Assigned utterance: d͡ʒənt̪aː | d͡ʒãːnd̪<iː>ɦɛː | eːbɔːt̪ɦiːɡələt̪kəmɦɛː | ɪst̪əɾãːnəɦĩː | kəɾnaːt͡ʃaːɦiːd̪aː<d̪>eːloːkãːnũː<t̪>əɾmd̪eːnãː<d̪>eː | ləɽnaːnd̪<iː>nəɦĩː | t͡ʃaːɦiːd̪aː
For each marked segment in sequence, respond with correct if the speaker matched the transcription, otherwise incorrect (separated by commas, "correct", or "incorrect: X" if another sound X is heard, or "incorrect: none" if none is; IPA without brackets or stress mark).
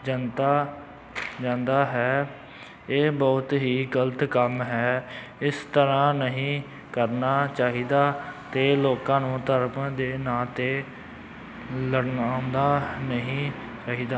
incorrect: aː, incorrect: t̪, correct, incorrect: t̪, incorrect: aː